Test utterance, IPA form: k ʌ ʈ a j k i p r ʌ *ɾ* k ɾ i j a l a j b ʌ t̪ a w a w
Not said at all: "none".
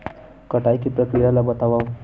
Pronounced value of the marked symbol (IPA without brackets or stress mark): none